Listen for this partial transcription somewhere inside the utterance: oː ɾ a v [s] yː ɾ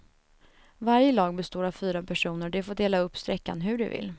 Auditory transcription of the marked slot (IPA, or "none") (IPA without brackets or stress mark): f